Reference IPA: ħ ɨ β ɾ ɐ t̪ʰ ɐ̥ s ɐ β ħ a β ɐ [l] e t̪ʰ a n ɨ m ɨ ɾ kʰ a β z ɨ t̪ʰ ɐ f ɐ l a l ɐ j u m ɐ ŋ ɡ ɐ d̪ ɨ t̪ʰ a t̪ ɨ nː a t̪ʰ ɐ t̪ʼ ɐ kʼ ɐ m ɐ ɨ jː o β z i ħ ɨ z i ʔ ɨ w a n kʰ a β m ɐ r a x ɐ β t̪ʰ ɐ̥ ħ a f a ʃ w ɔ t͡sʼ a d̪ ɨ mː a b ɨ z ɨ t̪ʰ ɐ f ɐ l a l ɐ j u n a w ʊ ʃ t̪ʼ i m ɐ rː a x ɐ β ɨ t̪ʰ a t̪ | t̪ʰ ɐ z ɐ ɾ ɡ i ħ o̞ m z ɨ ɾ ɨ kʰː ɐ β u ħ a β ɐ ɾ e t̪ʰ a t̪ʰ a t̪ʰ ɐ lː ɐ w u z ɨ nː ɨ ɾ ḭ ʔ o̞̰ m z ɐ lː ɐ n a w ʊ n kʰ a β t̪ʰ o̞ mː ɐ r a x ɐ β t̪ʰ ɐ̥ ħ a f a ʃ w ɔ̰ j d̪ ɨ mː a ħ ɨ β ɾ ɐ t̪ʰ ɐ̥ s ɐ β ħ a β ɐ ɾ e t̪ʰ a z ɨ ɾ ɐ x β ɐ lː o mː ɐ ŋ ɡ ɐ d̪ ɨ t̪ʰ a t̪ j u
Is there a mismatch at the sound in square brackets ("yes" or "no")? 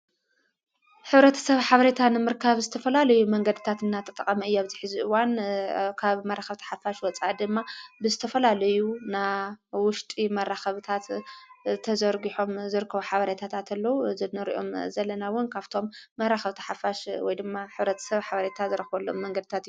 yes